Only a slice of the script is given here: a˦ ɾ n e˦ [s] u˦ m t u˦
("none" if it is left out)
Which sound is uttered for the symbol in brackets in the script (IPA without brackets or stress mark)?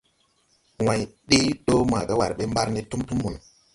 t